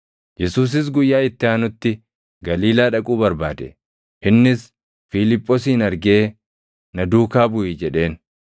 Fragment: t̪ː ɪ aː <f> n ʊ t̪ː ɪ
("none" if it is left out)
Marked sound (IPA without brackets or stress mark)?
none